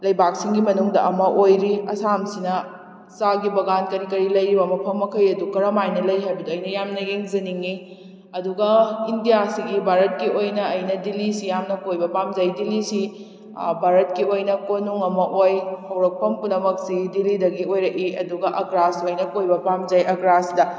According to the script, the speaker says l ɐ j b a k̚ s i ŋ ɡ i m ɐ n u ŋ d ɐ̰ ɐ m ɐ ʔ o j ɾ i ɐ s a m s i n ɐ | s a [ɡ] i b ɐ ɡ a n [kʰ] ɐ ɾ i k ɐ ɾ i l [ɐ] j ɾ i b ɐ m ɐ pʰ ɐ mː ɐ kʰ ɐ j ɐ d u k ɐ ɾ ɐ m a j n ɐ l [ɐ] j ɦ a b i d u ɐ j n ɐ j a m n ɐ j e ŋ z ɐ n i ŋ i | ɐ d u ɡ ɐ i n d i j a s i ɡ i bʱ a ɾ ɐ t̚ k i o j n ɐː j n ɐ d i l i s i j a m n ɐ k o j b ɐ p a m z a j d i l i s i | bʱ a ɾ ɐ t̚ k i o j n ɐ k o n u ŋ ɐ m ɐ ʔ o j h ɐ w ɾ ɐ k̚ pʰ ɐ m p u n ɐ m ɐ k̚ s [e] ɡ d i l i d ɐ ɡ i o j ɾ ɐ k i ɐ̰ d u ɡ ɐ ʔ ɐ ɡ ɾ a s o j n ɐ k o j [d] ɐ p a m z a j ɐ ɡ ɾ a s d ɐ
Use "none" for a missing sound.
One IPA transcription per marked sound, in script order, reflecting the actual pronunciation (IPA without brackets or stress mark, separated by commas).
ɡ, k, ɐ, ɐ, i, b